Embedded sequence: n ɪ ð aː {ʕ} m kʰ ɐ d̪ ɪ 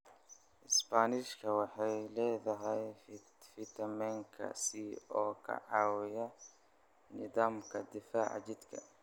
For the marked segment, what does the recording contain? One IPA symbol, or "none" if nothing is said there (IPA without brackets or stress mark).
none